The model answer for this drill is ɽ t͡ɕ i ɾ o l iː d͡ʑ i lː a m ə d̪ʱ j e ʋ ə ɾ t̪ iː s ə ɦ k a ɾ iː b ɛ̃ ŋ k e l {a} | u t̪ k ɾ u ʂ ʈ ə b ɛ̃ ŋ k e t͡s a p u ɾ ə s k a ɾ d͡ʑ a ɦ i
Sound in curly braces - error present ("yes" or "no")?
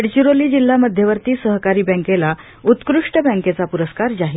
no